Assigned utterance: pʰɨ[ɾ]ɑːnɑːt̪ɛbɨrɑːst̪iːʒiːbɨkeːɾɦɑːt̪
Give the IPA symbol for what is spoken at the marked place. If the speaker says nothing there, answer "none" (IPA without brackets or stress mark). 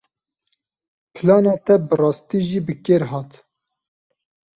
l